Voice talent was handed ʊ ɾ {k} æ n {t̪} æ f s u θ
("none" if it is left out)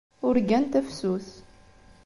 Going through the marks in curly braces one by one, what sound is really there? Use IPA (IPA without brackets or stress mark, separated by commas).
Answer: ɡ, t̪